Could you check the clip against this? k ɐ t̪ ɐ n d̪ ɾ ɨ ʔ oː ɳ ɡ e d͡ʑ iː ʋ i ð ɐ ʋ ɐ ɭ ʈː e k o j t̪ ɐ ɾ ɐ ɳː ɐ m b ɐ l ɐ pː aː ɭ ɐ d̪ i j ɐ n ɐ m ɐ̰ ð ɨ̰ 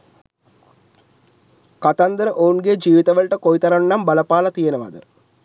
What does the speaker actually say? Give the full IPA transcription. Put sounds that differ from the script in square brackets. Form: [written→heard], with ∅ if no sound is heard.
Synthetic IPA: k ɐ t̪ ɐ n d̪ ɾ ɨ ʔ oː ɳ ɡ e d͡ʑ iː ʋ i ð ɐ ʋ ɐ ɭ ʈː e k o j t̪ ɐ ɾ ɐ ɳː ɐ m b ɐ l ɐ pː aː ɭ ɐ [d̪→t̪] i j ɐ n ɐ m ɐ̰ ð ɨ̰